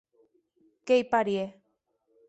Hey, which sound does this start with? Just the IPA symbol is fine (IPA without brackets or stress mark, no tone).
k